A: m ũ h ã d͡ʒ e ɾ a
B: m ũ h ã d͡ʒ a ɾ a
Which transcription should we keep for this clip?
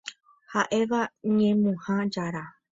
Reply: B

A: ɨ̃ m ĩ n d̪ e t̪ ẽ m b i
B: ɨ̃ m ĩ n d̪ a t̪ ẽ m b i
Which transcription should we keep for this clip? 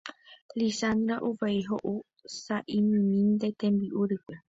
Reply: A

